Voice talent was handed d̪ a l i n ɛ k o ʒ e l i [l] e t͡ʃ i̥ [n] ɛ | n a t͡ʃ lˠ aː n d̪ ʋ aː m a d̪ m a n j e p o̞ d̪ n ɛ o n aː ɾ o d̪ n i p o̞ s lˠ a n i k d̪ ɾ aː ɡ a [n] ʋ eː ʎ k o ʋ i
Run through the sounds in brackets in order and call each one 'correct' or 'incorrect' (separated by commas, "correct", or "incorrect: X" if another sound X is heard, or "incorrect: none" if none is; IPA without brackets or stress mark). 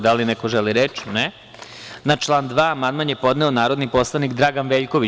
incorrect: ɾ, correct, correct